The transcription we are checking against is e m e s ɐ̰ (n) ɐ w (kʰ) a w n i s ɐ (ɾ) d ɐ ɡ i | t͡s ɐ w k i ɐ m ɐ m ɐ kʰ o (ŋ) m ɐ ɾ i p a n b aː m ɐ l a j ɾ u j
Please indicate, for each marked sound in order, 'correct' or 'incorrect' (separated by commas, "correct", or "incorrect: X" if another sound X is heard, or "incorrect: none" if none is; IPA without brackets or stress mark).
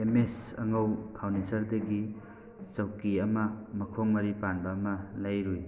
incorrect: ŋ, incorrect: pʰ, correct, correct